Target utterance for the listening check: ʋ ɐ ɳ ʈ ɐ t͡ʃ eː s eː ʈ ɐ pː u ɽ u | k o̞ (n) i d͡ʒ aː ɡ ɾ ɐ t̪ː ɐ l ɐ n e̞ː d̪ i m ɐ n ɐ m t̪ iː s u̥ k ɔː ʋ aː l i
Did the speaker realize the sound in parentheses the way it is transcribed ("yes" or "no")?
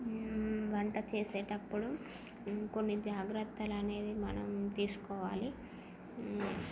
no